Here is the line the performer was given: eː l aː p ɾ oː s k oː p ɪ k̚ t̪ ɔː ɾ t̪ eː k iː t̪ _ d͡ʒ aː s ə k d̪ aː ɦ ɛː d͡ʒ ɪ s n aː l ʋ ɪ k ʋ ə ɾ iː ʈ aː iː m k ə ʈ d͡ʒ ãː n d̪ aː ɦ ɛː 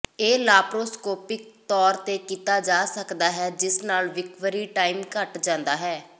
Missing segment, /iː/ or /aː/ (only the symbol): aː